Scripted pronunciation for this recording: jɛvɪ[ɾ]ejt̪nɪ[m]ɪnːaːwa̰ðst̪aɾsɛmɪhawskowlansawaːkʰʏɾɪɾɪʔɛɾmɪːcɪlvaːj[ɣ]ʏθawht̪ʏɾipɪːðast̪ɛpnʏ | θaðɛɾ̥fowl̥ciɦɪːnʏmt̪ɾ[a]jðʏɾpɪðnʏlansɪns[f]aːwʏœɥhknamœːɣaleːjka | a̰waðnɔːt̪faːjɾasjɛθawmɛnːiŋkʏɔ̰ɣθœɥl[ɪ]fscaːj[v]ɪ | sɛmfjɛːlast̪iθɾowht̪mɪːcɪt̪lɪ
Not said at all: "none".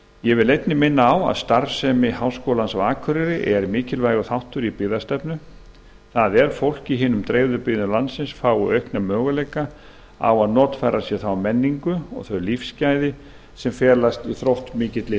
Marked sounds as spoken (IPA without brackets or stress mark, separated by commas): l, m, ɣ, e, f, i, ð